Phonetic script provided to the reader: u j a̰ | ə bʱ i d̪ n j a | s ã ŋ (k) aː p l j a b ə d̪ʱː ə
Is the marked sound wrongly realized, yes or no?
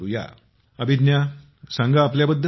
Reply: yes